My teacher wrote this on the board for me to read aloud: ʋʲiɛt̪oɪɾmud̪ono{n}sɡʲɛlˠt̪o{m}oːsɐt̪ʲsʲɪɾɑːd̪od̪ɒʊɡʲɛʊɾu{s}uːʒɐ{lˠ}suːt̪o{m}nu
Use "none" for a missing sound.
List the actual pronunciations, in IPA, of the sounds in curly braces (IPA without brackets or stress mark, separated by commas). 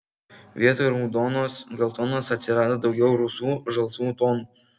none, n, s, lˠ, none